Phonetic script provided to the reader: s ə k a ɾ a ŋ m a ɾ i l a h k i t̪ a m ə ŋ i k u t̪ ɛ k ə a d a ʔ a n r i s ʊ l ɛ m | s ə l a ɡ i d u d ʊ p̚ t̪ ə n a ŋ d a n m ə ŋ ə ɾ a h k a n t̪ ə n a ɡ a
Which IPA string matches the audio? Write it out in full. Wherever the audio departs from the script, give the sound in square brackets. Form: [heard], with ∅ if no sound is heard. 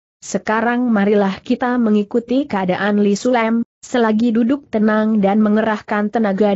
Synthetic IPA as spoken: s ə k a ɾ a ŋ m a ɾ i l a h k i t̪ a m ə ŋ i k u t̪ [i] k ə a d a ʔ a n [l] i s [u] l ɛ m | s ə l a ɡ i d u d ʊ [k̚] t̪ ə n a ŋ d a n m ə ŋ ə ɾ a h k a n t̪ ə n a ɡ a

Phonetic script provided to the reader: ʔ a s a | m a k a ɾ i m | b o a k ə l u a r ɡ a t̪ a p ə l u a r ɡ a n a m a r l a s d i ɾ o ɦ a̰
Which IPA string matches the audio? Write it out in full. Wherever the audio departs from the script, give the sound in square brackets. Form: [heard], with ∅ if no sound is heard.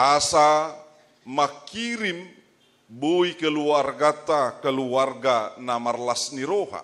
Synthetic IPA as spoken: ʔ a s a | m a k [i] ɾ i m | b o [i] k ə l u a r ɡ a t̪ a [k] ə l u a r ɡ a n a m a r l a s [n] i ɾ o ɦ a̰

